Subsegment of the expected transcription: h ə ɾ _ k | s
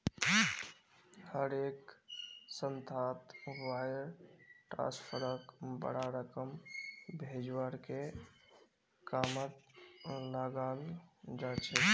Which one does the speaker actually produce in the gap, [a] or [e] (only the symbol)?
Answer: e